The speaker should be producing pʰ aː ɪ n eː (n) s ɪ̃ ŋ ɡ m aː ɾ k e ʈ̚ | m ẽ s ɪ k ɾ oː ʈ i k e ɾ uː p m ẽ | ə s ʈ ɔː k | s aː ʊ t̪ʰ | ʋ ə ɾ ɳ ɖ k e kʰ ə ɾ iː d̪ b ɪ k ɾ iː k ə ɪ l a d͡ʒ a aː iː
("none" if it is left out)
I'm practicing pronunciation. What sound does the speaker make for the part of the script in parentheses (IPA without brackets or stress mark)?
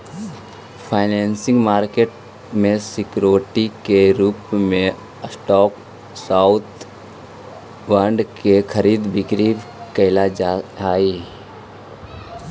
n